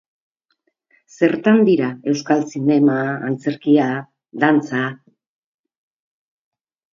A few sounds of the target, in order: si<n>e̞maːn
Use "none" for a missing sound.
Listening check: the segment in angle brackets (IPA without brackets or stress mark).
n